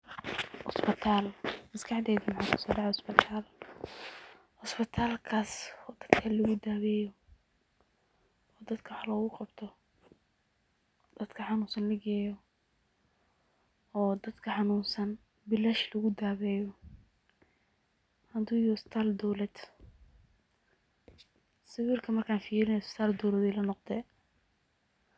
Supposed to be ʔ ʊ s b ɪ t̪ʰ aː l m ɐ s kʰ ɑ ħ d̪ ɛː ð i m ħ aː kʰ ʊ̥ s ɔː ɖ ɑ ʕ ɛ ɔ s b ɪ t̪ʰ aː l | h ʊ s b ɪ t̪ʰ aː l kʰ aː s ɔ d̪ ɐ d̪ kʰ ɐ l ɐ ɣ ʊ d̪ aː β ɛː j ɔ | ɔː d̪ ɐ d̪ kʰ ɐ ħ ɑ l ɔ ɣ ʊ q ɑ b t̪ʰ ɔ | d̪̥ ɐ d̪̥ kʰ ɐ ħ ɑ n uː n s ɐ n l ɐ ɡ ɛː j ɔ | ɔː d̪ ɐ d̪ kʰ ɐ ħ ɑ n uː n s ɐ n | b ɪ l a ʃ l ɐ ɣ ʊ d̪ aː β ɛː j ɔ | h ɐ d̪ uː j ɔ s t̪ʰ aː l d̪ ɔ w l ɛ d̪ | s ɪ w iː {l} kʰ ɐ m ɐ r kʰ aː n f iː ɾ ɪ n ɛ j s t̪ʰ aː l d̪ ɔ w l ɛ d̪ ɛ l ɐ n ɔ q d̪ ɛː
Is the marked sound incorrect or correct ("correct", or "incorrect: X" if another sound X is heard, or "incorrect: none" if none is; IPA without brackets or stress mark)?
incorrect: r